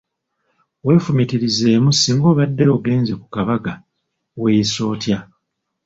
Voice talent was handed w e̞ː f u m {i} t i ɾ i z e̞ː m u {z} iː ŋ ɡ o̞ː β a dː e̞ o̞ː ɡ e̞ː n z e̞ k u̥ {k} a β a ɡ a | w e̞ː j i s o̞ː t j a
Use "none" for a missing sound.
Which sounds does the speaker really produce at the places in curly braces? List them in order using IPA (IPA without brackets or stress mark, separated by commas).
i, s, k